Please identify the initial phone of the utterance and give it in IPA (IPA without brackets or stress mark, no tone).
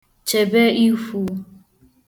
t͡ʃ